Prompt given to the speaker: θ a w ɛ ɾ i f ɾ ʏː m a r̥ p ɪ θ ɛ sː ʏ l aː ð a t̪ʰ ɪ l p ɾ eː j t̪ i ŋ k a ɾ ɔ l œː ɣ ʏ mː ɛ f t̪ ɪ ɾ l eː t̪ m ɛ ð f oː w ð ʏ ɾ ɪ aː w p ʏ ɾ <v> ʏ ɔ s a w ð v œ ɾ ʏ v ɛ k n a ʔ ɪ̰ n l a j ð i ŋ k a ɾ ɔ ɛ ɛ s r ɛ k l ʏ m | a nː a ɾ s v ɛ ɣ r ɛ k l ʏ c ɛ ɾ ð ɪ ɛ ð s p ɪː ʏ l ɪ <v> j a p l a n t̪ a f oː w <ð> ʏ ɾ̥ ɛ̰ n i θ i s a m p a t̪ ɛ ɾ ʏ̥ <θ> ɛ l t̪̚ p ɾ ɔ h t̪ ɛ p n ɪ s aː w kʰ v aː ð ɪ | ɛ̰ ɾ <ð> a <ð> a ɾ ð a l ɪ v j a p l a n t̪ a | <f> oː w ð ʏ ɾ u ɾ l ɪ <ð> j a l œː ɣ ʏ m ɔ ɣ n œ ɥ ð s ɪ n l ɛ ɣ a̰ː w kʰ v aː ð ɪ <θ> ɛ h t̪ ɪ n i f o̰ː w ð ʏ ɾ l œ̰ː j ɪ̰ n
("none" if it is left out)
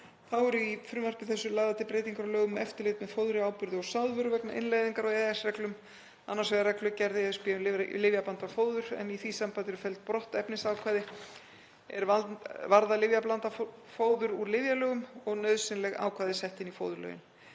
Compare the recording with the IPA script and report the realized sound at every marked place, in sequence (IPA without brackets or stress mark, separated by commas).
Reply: ð, v, ð, f, v, v, f, v, s